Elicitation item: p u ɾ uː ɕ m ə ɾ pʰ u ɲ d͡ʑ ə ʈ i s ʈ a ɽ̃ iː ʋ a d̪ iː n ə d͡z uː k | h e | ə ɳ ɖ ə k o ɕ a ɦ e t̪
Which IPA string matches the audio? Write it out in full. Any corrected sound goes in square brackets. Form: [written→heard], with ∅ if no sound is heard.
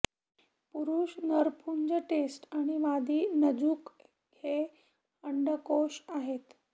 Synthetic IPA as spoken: p u ɾ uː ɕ [m→n] ə ɾ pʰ u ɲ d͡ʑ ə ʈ [i→e] s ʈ a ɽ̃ [iː→i] ʋ a d̪ iː n ə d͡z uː k | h e | ə ɳ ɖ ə k o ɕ a ɦ e t̪